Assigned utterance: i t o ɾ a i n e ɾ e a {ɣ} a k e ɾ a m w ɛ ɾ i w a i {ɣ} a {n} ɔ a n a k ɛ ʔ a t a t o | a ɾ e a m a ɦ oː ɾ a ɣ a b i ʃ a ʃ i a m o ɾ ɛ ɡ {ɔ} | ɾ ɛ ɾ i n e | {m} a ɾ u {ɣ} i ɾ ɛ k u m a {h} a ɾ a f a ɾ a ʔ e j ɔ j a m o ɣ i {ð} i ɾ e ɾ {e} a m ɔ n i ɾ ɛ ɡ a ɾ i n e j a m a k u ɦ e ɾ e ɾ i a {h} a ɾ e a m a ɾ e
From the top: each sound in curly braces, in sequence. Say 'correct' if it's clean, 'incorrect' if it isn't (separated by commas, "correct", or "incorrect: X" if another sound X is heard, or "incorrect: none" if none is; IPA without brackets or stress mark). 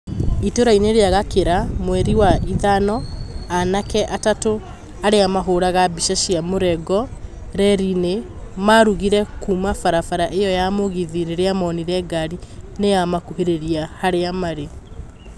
correct, incorrect: ð, correct, correct, correct, correct, incorrect: f, correct, correct, correct